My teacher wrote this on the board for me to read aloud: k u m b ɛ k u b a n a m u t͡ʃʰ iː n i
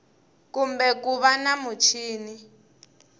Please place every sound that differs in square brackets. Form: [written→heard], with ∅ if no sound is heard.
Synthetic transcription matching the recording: k u m b ɛ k u [b→β] a n a m u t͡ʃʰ iː n i